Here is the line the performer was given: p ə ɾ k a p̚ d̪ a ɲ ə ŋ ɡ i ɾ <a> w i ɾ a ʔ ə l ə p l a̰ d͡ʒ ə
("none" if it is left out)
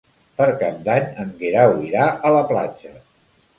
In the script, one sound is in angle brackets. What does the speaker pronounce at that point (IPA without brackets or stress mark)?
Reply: a